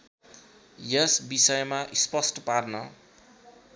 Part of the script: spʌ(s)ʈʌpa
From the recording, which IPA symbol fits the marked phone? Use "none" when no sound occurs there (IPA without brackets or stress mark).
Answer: s